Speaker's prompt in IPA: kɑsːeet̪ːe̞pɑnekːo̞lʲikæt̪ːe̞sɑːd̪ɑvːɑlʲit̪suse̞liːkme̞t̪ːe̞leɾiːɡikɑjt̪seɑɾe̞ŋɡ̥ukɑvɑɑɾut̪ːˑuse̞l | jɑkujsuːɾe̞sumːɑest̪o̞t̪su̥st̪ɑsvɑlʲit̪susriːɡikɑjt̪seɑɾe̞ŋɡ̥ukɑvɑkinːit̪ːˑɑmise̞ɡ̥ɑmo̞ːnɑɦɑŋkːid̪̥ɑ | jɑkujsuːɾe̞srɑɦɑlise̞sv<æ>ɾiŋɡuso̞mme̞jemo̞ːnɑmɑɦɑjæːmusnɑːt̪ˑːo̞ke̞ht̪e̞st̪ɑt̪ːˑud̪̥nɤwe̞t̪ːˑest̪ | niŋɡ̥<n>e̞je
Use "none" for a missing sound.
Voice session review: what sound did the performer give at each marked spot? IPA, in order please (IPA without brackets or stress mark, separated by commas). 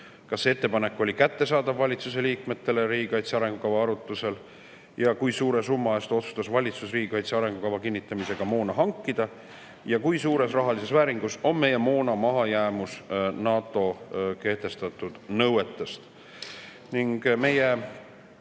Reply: æː, m